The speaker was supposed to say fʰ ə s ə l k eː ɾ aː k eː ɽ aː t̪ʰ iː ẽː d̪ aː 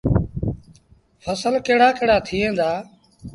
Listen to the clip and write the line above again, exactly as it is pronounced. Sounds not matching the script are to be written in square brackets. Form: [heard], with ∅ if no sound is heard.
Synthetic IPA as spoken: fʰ ə s ə l k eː [ɽ] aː k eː ɽ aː t̪ʰ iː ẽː d̪ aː